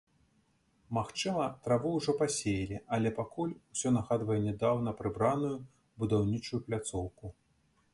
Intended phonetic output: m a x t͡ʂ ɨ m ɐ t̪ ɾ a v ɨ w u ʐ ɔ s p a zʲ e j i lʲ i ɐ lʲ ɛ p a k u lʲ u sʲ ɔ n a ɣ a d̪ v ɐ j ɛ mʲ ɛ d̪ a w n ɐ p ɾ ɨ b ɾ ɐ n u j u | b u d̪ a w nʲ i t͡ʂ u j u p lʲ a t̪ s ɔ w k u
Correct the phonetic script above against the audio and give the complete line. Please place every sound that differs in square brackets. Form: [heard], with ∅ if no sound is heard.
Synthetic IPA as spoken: m a x t͡ʂ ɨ m ɐ t̪ ɾ a v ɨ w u ʐ ɔ [∅] p a [sʲ] e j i lʲ i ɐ lʲ ɛ p a k u lʲ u sʲ ɔ n a ɣ a d̪ v ɐ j ɛ [nʲ] ɛ d̪ a w n ɐ p ɾ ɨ b ɾ [a] n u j u | b u d̪ a w nʲ i t͡ʂ u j u p lʲ a t̪ s ɔ w k u